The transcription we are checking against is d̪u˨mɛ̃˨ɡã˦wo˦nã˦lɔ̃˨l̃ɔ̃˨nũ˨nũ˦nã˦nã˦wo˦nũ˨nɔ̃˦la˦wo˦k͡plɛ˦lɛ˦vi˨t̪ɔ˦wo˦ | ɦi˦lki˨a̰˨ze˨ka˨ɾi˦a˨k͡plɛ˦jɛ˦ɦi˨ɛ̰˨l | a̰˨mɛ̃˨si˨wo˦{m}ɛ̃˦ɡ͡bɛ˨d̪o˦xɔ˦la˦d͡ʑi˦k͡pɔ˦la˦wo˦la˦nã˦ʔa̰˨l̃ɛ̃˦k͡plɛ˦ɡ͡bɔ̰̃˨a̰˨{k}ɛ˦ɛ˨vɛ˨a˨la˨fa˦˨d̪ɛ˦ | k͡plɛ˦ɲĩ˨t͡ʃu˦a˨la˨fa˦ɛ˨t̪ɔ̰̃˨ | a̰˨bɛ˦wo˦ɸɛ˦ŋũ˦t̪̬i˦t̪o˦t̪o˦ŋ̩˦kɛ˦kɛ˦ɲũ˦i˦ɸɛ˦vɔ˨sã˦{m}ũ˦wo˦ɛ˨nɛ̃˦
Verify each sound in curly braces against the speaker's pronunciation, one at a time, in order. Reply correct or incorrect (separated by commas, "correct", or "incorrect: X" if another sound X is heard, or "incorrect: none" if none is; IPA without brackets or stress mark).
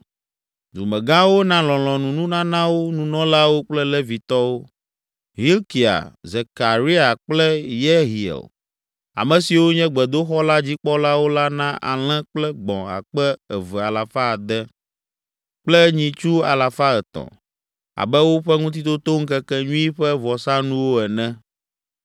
incorrect: ɲ, incorrect: k͡p, incorrect: n